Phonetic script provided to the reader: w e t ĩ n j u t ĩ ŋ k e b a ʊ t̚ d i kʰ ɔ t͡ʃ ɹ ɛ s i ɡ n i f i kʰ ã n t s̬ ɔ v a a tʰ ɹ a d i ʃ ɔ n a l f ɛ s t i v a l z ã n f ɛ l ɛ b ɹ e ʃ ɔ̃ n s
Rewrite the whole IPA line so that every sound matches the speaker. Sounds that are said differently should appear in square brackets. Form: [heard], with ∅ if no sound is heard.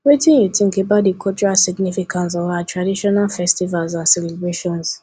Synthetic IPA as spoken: w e t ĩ n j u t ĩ ŋ k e b a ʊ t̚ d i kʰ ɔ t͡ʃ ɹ [a] s i ɡ n i f i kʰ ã n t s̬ ɔ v a a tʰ ɹ a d i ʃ ɔ n a l f ɛ s t i v a l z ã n [s] ɛ l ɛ b ɹ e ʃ ɔ̃ n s

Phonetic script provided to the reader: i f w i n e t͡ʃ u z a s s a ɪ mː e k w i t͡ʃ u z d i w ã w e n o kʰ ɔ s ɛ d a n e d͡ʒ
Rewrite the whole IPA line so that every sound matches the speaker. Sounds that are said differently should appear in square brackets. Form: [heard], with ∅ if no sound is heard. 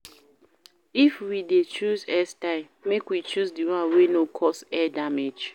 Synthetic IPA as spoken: i f w i [d] e t͡ʃ u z [ɛ] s [t] a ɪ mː e k w i t͡ʃ u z d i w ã w e n o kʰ ɔ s ɛ d a [m] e d͡ʒ

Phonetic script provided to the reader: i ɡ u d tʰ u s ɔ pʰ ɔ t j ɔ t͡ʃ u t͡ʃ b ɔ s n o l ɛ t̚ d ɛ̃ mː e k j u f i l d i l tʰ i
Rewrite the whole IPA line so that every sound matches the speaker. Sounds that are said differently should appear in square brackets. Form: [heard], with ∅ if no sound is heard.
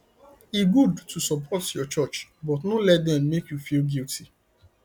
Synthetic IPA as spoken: i ɡ u d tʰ u s ɔ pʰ ɔ t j ɔ t͡ʃ [ɔ] t͡ʃ b ɔ [t] n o l ɛ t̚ d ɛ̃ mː e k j u f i l [ɡ] i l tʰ i

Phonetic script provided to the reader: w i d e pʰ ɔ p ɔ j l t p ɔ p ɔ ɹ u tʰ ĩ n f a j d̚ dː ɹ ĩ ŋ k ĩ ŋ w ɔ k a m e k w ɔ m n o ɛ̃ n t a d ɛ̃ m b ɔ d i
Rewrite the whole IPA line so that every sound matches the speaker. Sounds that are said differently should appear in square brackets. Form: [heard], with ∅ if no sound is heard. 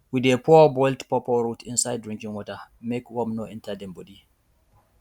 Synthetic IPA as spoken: w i d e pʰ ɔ [b] ɔ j l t p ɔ p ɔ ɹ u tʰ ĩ n [s] a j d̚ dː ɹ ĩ ŋ k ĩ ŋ w ɔ [t] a m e k w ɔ m n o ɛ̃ n t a d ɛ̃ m b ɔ d i

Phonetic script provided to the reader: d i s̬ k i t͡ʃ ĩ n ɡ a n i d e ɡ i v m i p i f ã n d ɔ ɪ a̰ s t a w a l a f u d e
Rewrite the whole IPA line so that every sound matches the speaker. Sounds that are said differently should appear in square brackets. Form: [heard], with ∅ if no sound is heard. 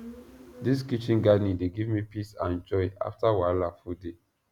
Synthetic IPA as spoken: d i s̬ k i t͡ʃ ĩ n ɡ a n i d e ɡ i v m i p i [s] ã n [d͡ʒ] ɔ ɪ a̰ [f] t a w a l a f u d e

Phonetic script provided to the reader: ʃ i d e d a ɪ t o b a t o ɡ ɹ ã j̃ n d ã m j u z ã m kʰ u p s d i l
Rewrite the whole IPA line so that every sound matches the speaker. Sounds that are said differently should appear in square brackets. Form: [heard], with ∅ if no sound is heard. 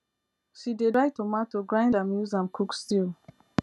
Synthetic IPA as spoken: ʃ i d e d a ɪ t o [m] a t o ɡ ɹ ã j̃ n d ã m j u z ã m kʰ u [k] s [t] i l

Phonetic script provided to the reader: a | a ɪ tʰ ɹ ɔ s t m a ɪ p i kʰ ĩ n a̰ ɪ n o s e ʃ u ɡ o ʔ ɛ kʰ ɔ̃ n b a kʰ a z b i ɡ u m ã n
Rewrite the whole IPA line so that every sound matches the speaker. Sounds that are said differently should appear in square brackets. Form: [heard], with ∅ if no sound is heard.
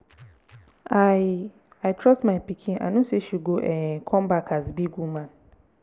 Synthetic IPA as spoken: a | a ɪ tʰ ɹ ɔ s t m a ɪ p i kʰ ĩ n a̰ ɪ n o s e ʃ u ɡ o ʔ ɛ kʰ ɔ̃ [m] b a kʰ a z b i ɡ u m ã n

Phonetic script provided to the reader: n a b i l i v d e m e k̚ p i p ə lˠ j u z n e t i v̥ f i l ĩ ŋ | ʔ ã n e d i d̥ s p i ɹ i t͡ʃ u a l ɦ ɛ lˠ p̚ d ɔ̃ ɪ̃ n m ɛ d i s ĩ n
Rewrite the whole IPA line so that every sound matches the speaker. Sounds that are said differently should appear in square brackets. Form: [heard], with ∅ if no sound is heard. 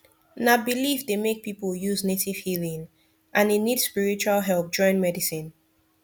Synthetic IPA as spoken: n a b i l i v d e m e k̚ p i p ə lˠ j u z n e t i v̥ [h] i l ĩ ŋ | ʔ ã n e [n] i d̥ s p i ɹ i t͡ʃ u a l ɦ ɛ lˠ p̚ [d͡ʒ] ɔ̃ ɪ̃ n m ɛ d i s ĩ n

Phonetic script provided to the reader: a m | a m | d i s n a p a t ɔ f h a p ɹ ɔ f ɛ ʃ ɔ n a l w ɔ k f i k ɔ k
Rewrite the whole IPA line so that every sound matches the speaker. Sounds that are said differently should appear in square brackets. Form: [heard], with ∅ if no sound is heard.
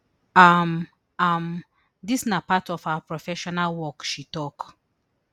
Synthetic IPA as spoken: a m | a m | d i s n a p a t ɔ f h a p ɹ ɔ f ɛ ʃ ɔ n a l w ɔ k [ʃ] i [t] ɔ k

